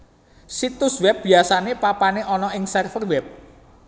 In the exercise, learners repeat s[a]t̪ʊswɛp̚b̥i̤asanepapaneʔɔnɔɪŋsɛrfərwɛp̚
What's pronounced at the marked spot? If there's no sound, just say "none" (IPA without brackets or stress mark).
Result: i